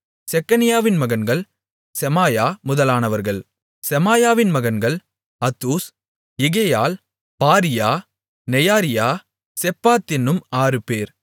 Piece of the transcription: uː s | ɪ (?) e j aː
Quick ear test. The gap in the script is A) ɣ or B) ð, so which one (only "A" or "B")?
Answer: A